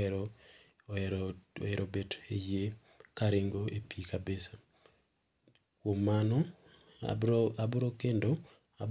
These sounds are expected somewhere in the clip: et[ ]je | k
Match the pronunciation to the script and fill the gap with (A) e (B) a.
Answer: A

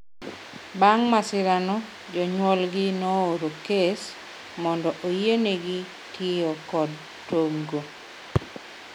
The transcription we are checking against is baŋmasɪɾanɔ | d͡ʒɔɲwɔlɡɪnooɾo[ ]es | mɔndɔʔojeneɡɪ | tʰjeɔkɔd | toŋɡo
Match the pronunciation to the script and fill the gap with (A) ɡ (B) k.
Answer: B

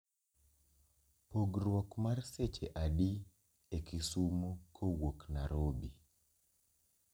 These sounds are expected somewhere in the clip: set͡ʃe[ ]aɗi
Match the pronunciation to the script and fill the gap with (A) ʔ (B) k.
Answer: A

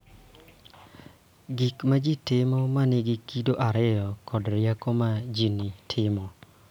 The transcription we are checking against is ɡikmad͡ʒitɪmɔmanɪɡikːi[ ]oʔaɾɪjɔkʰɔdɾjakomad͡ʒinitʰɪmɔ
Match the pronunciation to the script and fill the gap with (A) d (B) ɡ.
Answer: A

